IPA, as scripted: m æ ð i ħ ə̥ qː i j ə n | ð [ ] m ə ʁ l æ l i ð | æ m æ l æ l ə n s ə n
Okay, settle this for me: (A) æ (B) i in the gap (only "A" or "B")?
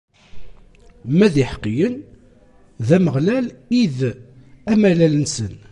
A